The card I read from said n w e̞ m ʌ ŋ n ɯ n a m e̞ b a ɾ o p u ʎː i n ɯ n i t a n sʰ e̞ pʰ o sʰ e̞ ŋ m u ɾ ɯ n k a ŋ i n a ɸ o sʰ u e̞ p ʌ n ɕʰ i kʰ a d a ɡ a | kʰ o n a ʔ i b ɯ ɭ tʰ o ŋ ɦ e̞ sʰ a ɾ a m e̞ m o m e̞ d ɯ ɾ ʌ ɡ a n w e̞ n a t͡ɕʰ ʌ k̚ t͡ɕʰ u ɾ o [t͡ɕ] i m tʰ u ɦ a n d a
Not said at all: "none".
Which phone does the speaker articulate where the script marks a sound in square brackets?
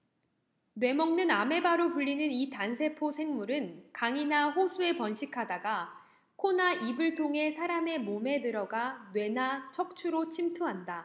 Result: t͡ɕʰ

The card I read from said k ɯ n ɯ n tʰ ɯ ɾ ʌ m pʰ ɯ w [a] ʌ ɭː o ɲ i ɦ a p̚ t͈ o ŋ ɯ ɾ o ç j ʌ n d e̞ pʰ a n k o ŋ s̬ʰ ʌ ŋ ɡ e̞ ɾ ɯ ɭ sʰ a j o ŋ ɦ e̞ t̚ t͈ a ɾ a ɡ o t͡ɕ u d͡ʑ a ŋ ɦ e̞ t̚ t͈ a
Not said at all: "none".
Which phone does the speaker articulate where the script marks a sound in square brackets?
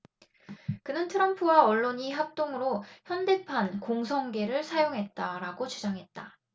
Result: a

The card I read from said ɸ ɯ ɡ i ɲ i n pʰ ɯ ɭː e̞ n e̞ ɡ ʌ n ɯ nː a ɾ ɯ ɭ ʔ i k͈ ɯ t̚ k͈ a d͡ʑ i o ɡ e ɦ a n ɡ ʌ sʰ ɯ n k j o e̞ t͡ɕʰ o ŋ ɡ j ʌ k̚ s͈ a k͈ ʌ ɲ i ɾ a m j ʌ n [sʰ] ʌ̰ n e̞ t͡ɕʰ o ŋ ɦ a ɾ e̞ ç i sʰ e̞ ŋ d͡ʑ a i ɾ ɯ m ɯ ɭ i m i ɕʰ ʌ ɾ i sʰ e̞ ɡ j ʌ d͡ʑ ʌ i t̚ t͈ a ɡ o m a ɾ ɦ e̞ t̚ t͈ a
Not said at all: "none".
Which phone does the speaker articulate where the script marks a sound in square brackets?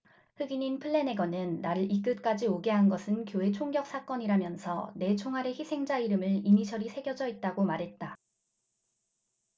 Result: sʰ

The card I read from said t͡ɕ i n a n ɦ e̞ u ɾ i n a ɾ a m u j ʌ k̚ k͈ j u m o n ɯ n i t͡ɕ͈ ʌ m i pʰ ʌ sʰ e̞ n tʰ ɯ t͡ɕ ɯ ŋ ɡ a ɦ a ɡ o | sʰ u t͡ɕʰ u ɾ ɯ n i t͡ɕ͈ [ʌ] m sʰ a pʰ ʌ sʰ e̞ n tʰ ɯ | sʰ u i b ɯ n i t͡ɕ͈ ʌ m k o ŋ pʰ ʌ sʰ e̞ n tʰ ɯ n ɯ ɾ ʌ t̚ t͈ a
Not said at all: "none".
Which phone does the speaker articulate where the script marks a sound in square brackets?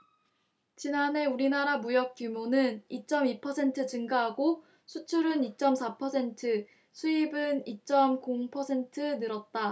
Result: ʌ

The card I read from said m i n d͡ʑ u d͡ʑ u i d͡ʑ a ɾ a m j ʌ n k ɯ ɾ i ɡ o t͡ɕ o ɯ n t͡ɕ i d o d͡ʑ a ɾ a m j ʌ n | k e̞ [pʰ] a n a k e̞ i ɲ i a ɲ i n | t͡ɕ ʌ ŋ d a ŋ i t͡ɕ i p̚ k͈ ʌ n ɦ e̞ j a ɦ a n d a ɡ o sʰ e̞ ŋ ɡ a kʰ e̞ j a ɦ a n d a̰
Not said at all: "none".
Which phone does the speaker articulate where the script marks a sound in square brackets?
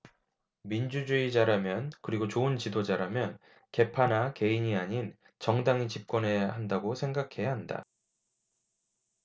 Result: pʰ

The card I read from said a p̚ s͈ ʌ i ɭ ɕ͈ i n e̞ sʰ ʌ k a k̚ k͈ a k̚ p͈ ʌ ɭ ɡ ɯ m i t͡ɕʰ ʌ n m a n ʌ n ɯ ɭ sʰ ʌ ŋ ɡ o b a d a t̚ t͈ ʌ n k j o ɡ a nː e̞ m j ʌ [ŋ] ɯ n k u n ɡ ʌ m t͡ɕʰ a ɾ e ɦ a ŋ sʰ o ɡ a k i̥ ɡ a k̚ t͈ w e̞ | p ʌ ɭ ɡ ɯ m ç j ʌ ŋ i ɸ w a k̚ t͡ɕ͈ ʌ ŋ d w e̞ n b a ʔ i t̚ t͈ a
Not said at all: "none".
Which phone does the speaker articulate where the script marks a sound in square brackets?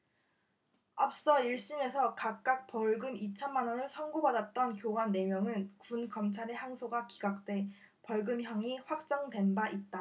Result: ŋ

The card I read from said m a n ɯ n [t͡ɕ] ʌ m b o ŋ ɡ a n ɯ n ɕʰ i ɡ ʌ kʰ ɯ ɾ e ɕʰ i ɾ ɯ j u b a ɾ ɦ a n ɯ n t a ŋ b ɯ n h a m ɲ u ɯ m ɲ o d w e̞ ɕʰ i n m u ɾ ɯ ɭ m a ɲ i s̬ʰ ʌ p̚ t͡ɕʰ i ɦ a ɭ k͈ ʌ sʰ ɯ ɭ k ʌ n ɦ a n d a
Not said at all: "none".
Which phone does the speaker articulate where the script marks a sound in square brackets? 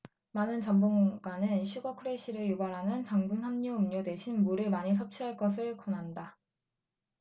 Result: t͡ɕ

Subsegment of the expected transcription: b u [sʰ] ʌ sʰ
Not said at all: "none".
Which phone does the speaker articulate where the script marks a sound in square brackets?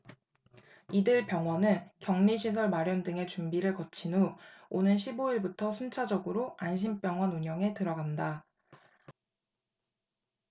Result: tʰ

